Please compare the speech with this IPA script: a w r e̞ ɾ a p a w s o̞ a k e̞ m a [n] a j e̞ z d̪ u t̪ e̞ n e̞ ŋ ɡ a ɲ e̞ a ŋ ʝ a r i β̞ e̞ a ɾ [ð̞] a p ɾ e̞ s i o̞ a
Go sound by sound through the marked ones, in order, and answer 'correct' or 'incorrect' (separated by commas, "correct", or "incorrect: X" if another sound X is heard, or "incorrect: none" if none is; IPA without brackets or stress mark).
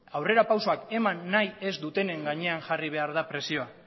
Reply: incorrect: nː, correct